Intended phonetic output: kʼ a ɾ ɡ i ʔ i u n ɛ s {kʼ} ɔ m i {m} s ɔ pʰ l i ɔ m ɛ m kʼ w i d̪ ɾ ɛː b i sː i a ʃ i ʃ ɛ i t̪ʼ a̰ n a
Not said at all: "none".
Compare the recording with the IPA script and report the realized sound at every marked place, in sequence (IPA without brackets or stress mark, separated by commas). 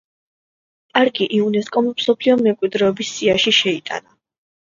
kʼ, m